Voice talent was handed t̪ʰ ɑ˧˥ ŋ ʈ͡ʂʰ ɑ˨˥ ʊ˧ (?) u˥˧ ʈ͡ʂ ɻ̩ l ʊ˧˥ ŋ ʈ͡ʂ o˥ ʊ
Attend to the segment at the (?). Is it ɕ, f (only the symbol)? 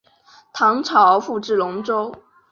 f